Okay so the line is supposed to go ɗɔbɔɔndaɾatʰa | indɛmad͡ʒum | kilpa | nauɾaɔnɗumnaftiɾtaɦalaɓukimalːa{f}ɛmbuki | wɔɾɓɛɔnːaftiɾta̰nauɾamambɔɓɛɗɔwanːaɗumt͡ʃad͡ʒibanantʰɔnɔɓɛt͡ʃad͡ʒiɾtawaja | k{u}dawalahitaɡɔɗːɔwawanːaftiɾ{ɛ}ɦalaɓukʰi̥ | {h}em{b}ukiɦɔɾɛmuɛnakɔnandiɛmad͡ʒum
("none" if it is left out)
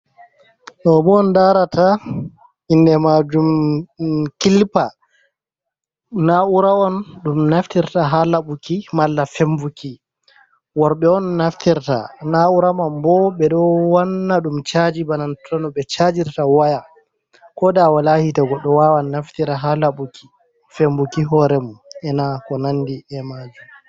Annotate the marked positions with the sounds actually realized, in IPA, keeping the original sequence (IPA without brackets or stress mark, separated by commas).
f, ɔ, a, f, b